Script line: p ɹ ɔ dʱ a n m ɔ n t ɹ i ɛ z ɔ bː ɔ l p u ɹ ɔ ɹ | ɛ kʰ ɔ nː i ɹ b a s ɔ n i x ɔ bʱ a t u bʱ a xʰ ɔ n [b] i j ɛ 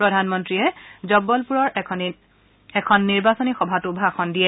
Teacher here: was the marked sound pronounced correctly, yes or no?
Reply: no